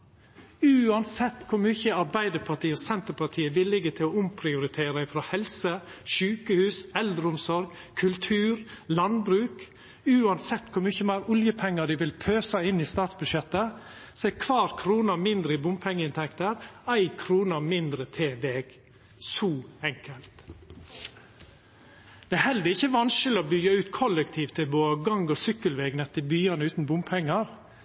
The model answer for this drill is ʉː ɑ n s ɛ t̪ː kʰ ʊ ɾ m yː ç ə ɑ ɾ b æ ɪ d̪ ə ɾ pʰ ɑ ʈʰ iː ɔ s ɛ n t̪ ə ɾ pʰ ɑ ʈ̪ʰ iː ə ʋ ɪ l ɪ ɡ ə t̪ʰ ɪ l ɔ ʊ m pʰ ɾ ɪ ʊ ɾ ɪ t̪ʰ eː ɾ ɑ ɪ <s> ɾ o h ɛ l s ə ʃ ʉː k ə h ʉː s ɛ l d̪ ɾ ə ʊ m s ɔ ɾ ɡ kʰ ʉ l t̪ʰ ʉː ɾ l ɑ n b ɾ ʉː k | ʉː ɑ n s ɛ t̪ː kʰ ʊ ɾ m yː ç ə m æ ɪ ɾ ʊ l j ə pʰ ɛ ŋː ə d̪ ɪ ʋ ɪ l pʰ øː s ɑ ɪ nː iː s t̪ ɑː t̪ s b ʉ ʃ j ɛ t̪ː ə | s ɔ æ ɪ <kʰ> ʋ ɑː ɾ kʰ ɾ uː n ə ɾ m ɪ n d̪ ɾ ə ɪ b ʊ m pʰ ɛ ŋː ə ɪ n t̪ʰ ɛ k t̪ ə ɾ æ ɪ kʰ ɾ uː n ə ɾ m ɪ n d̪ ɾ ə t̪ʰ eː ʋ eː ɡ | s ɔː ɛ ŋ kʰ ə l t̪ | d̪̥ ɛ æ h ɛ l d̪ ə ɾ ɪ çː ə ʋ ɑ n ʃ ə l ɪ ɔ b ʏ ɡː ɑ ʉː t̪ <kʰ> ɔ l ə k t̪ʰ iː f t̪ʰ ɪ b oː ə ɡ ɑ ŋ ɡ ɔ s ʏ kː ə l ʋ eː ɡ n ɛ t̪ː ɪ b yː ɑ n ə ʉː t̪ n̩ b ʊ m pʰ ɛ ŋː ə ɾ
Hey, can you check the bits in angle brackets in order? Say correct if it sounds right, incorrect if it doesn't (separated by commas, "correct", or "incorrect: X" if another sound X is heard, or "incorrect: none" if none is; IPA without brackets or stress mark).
incorrect: f, correct, correct